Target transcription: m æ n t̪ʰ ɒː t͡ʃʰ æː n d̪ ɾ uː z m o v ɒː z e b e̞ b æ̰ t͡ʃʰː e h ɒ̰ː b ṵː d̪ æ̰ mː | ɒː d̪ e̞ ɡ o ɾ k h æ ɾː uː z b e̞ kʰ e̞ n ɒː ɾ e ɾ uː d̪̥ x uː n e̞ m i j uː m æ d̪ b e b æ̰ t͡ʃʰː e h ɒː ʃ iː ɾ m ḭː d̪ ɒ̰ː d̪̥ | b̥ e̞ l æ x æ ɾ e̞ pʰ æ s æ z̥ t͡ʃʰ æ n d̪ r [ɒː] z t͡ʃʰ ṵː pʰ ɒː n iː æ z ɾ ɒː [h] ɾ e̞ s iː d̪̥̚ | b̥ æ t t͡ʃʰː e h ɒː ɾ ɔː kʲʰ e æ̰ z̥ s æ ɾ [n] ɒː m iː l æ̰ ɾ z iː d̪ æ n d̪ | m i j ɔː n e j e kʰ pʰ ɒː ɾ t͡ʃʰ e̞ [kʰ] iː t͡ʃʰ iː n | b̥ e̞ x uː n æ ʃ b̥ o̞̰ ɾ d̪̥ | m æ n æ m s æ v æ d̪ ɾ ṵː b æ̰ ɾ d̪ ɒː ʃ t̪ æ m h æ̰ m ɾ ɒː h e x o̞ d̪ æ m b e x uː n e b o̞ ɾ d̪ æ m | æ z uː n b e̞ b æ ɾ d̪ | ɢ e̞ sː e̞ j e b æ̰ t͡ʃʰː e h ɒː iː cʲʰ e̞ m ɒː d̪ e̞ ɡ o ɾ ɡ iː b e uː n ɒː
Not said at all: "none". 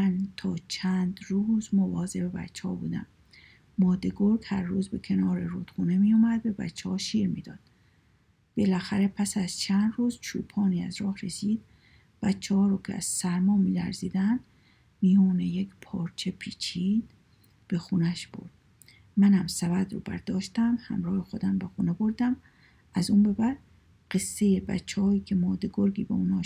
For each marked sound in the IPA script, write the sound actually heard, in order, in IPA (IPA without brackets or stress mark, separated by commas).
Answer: uː, h, m, pʰ